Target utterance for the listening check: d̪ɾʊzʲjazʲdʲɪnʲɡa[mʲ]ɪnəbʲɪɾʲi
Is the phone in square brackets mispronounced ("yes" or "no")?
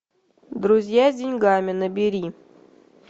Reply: no